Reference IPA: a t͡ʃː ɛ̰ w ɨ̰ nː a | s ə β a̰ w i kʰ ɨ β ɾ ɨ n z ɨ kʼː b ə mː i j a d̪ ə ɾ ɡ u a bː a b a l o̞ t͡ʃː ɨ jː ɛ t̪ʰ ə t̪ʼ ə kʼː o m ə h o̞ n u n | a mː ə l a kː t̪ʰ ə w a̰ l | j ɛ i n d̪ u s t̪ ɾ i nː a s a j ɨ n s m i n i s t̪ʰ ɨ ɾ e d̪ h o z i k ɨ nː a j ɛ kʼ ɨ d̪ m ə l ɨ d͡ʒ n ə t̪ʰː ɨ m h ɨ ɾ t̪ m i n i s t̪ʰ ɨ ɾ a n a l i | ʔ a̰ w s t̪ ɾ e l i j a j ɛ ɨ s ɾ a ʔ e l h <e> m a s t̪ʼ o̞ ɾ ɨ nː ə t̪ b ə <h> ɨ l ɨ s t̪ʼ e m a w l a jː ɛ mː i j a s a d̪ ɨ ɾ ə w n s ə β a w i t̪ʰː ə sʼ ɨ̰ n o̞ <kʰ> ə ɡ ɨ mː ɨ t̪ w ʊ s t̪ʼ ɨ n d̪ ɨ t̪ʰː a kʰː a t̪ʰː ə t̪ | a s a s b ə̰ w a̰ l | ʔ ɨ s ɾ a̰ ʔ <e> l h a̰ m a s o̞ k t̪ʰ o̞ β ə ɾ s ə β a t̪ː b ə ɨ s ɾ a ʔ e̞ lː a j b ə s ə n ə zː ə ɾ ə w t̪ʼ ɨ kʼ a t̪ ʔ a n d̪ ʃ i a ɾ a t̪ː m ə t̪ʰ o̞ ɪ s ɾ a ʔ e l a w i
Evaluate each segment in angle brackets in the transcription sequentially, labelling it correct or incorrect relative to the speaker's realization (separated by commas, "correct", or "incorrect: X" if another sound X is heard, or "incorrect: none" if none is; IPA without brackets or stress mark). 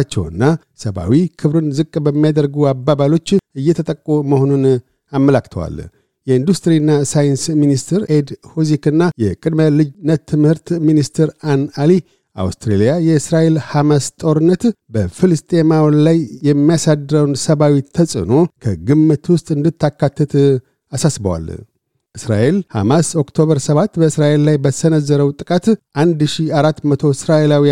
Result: incorrect: a, incorrect: f, correct, correct